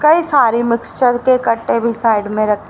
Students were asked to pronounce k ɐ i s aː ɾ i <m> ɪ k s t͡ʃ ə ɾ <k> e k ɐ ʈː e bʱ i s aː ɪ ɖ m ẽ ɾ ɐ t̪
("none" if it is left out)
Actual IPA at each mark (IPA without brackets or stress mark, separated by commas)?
m, k